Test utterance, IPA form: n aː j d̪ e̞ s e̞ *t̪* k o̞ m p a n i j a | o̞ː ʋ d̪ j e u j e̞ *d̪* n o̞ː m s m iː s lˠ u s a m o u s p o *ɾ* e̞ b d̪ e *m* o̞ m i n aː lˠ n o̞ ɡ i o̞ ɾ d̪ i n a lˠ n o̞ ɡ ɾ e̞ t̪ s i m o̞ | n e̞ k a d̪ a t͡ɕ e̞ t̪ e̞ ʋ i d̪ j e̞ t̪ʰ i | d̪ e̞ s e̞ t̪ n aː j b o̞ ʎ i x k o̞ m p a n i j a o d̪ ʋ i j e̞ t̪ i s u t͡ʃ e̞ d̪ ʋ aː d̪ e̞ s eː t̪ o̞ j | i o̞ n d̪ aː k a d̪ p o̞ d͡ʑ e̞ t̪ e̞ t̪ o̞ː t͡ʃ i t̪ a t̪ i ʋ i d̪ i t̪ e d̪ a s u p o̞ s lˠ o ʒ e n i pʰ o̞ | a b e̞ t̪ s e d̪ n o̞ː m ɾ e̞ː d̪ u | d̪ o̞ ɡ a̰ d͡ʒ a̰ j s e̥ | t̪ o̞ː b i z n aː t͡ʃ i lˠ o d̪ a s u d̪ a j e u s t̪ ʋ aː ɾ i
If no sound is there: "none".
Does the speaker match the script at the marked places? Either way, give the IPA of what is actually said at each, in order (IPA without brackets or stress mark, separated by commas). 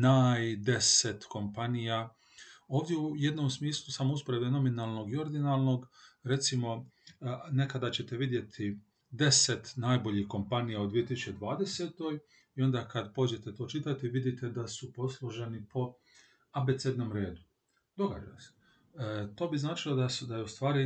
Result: t̪, d̪, ɾ, n